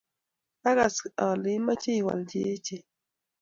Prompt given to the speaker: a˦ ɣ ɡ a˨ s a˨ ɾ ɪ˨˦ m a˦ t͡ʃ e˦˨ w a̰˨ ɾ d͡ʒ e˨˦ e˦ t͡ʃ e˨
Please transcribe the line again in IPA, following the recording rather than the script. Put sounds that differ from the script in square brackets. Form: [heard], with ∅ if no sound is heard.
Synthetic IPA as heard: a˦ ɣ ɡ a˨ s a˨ [l] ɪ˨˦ m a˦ t͡ʃ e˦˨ w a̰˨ [l] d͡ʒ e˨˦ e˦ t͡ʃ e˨

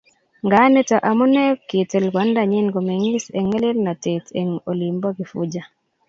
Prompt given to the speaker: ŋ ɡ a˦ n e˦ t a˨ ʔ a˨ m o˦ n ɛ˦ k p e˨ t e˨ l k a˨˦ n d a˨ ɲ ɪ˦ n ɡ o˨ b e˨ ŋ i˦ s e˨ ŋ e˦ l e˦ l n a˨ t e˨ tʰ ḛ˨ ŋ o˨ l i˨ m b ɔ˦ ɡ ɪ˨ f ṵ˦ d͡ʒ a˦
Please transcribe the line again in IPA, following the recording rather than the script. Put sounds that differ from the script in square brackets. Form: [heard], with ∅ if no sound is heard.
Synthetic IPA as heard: ŋ ɡ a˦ n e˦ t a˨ ʔ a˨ m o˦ n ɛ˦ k [k] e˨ t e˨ l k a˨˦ n d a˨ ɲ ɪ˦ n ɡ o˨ [m] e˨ ŋ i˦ s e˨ ŋ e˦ l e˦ l n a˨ t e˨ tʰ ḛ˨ ŋ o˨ l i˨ m b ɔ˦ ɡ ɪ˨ f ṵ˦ d͡ʒ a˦

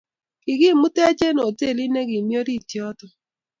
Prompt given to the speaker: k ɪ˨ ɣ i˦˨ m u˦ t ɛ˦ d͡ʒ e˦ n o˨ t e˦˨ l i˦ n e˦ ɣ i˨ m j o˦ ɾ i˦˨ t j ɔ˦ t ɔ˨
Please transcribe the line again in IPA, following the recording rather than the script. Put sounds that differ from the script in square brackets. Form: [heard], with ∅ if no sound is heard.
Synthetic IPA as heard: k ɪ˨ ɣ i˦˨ m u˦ t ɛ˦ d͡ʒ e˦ n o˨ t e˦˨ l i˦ n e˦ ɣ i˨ m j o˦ ɾ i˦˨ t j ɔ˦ t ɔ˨

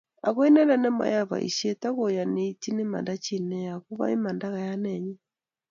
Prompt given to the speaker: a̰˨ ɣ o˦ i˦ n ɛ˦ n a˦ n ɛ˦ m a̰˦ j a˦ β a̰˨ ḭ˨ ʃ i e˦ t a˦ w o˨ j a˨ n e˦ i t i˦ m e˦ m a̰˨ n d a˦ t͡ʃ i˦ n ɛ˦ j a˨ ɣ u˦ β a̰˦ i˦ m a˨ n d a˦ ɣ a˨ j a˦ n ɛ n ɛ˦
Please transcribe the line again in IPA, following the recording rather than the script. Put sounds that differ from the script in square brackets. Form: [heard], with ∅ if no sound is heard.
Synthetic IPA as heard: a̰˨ ɣ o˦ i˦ n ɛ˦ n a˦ n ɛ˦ m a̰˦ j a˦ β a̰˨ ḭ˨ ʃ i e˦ t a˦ [ɣ] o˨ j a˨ n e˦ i t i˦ [n] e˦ m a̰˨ n d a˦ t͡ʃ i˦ n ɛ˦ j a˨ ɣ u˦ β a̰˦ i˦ m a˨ n d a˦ ɣ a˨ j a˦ n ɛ [ɲ] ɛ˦

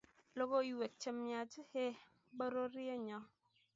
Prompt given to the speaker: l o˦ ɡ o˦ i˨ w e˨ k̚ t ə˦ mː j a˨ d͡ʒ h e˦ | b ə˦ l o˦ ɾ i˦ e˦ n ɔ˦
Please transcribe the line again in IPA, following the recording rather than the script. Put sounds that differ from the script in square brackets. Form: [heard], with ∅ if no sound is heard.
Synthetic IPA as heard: l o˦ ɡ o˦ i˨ w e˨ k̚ [t͡ʃ] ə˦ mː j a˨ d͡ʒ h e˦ | b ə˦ [ɾ] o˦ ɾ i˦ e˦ [ɲ] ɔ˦

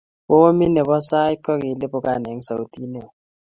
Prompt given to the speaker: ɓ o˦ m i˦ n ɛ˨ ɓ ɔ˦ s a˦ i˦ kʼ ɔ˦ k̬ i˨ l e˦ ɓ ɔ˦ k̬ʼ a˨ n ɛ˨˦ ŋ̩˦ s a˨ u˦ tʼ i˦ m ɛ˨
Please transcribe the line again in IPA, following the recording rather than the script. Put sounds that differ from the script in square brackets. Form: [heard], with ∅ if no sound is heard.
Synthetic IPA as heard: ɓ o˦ m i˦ n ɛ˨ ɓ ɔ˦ s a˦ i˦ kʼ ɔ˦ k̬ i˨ l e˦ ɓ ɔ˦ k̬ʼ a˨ n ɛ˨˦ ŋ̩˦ s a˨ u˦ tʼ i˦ [n] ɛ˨

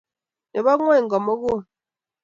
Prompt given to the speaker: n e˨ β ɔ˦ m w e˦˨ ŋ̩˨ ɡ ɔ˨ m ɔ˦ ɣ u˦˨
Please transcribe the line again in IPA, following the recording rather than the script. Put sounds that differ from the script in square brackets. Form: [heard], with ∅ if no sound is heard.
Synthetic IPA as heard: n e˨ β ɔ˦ [ŋ] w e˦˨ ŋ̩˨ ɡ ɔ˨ m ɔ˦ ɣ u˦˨

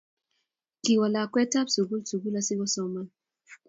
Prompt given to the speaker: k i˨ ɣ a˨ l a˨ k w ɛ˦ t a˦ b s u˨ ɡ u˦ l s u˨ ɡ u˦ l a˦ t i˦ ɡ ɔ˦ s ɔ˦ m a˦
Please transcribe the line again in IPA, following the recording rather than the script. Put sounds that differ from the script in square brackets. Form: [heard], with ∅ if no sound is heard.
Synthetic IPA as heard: k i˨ [w] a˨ l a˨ k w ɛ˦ t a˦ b s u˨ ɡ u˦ l s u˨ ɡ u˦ l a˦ [s] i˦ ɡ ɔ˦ s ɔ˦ m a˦

